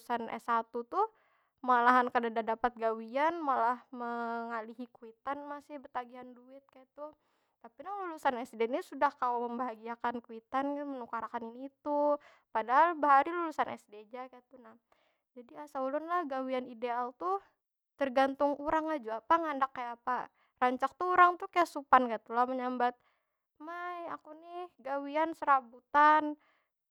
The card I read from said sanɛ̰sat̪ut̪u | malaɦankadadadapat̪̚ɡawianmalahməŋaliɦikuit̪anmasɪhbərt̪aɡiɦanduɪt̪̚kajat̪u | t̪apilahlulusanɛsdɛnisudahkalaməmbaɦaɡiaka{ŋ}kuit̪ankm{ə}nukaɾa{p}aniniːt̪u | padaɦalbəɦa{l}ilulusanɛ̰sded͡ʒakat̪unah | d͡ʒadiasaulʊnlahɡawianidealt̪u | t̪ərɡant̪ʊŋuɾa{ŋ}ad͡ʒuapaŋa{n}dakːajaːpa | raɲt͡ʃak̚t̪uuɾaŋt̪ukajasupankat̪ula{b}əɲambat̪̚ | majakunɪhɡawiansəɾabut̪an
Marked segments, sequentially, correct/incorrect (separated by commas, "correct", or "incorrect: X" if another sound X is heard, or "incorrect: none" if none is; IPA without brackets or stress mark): incorrect: n, correct, incorrect: k, incorrect: ɾ, correct, correct, incorrect: m